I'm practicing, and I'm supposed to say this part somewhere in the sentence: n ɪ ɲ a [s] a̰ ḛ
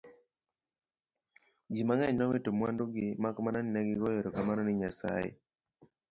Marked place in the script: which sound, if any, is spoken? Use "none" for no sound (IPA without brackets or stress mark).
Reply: s